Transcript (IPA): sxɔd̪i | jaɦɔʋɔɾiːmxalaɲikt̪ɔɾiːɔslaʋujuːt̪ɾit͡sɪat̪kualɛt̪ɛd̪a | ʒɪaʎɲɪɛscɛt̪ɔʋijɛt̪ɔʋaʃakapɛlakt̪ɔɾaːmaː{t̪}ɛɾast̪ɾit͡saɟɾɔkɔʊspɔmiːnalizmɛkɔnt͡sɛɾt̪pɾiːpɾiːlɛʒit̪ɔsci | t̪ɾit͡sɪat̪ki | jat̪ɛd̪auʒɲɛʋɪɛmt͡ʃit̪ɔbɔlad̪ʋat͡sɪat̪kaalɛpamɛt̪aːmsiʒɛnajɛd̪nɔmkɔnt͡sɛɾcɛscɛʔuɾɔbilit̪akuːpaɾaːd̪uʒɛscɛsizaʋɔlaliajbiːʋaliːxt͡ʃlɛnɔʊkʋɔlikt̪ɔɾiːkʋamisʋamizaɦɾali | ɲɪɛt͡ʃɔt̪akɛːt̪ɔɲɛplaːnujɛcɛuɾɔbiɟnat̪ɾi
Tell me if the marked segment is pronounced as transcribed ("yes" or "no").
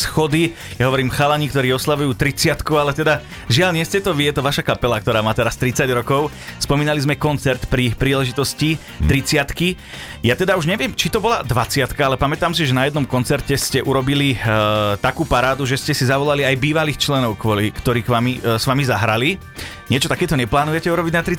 yes